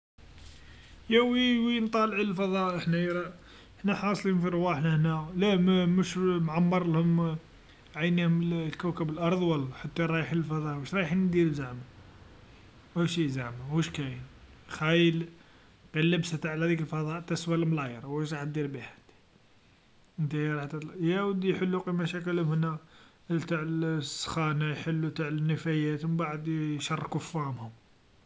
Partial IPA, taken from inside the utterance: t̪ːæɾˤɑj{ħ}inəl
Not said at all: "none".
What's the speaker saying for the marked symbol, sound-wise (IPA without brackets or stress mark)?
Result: ħ